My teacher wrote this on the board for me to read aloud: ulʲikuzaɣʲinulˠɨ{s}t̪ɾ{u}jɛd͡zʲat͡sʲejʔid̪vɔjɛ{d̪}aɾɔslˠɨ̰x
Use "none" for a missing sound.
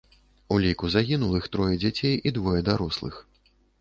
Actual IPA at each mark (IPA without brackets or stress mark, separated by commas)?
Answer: x, ɔ, d̪